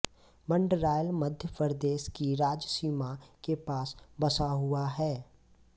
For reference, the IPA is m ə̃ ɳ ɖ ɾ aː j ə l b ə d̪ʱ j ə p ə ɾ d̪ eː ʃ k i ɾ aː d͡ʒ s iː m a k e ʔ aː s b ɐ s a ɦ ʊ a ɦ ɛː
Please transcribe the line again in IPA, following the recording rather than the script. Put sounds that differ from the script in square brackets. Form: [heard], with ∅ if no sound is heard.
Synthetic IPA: m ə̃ ɳ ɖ ɾ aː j ə l [m] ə d̪ʱ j ə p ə ɾ d̪ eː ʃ k i ɾ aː d͡ʒ s iː m a k e [p] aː s b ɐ s a ɦ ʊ a ɦ ɛː